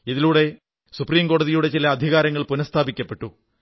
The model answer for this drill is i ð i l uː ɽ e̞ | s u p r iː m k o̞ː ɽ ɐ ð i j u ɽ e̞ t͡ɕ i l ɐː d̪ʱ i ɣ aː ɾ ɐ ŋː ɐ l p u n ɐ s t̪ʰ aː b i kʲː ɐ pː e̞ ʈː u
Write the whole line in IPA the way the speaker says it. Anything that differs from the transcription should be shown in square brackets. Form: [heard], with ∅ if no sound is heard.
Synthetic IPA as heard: i ð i l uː ɽ e̞ | s u p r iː m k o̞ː ɽ ɐ ð i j u ɽ e̞ t͡ɕ i l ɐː d̪ʱ i ɣ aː ɾ ɐ ŋː ɐ [ɭ] p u n ɐ s t̪ʰ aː b i kʲː ɐ pː e̞ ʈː u

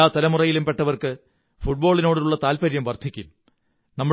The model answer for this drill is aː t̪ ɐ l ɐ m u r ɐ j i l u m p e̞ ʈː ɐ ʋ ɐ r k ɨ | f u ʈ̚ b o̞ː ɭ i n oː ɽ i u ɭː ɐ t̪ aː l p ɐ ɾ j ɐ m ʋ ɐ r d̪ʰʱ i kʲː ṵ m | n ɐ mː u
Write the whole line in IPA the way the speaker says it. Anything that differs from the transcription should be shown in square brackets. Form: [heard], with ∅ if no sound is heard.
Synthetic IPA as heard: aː t̪ ɐ l ɐ m u r ɐ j i l u m p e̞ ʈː ɐ ʋ ɐ r k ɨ | f u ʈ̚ b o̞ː ɭ i n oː ɽ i u ɭː ɐ t̪ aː l p ɐ ɾ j ɐ m ʋ ɐ r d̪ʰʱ i kʲː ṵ m | n ɐ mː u

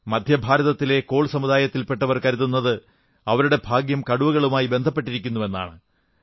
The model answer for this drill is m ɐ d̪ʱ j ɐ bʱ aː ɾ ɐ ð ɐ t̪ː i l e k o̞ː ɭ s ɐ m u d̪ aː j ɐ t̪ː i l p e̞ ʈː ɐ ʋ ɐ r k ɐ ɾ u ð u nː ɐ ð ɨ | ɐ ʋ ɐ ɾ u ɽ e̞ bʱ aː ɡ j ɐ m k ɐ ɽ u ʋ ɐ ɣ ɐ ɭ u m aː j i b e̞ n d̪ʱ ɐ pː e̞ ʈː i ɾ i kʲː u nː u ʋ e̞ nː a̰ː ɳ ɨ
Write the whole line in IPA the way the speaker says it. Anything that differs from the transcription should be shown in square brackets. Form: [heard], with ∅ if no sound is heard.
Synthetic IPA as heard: m ɐ d̪ʱ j ɐ bʱ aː ɾ ɐ ð ɐ t̪ː i l e k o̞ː ɭ s ɐ m u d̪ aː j ɐ t̪ː i l p e̞ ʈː ɐ ʋ ɐ r k ɐ ɾ u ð u nː ɐ ð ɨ | ɐ ʋ ɐ ɾ u ɽ e̞ bʱ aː ɡ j ɐ m k ɐ ɽ u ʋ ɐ ɣ ɐ ɭ u m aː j i b e̞ n d̪ʱ ɐ pː e̞ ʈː i ɾ i kʲː u nː u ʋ e̞ nː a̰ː ɳ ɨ

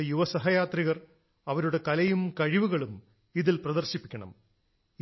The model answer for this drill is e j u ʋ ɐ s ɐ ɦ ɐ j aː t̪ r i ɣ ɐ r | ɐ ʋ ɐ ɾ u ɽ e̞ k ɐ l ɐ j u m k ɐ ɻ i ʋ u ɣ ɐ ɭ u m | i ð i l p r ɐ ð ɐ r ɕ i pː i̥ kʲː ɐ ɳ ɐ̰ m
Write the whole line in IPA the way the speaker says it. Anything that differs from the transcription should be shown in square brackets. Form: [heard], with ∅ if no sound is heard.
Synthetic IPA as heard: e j u ʋ ɐ s ɐ ɦ ɐ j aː t̪ r i ɣ ɐ r | ɐ ʋ ɐ ɾ u ɽ e̞ k ɐ l ɐ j u m k ɐ ɻ i ʋ u ɣ ɐ ɭ u m | i ð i l p r ɐ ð ɐ r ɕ i pː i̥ kʲː ɐ ɳ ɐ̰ m

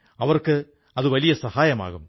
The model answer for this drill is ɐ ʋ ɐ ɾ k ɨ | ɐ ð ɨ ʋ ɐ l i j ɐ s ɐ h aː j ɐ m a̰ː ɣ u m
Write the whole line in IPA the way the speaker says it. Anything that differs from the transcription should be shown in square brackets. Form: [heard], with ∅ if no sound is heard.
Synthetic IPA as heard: ɐ ʋ ɐ [r] k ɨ | ɐ ð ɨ ʋ ɐ l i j ɐ s ɐ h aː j ɐ m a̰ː ɣ u m

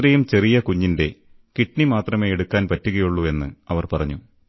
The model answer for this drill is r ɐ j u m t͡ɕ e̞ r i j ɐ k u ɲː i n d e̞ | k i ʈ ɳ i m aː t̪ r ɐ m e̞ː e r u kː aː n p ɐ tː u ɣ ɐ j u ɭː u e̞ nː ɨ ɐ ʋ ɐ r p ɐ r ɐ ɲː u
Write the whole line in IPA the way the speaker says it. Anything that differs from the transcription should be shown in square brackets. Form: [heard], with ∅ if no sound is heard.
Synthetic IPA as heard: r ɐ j u m t͡ɕ e̞ r i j ɐ k u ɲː i n d e̞ | k i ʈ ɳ i m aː t̪ r ɐ m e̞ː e [ɽ] u kː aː n p ɐ tː u ɣ ɐ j u ɭː u e̞ nː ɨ ɐ ʋ ɐ r p ɐ r ɐ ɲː u

